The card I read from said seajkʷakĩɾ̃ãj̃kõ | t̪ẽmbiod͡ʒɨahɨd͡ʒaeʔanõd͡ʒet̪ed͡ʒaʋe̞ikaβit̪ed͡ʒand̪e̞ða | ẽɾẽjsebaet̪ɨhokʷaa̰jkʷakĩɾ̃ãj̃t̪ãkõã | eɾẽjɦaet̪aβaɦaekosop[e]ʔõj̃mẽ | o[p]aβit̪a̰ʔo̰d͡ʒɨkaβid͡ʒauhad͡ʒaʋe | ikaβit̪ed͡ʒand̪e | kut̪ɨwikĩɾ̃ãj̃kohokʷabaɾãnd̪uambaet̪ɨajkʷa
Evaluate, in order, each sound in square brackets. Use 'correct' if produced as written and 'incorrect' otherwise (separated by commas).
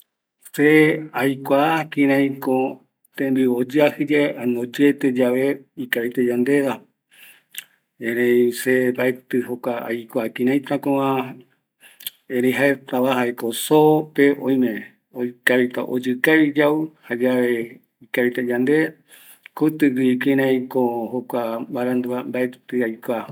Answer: correct, incorrect